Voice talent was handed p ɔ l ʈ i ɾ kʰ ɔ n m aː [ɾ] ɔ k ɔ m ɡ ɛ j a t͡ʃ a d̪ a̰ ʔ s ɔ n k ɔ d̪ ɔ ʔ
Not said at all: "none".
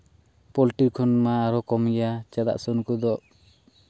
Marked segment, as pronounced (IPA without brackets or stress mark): ɾ